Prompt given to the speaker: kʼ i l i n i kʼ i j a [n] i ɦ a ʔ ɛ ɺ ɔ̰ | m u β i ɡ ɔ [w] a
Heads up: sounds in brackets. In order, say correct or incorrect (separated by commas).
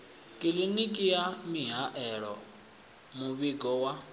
incorrect, correct